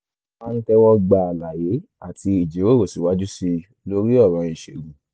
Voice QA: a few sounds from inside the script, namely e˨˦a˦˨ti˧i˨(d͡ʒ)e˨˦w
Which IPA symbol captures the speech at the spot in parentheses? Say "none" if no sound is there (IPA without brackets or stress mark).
d͡ʒ